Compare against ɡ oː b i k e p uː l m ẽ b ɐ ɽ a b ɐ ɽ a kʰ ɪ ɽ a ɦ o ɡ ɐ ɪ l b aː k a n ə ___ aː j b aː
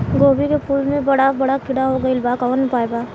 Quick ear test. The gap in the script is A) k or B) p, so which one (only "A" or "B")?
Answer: B